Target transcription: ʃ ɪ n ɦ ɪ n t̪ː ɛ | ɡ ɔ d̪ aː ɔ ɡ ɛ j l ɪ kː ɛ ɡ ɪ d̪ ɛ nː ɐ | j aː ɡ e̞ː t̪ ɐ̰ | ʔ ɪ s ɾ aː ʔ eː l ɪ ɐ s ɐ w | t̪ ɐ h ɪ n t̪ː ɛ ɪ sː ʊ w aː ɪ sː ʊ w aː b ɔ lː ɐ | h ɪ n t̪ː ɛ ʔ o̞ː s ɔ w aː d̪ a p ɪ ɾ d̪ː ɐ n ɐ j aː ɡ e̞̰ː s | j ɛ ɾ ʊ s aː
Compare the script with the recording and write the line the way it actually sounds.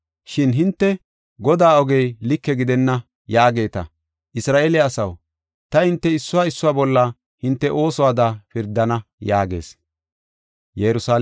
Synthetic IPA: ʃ ɪ n ɦ ɪ n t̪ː ɛ | ɡ ɔ d̪ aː ɔ ɡ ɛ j l ɪ kː ɛ ɡ ɪ d̪ ɛ nː ɐ | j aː ɡ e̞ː t̪ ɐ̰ | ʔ ɪ s ɾ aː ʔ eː l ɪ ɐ s ɐ w | t̪ ɐ h ɪ n t̪ː ɛ ɪ sː ʊ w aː ɪ sː ʊ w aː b ɔ lː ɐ | h ɪ n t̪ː ɛ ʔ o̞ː s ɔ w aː d̪ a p ɪ ɾ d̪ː ɐ n ɐ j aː ɡ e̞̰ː s | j ɛ ɾ ʊ s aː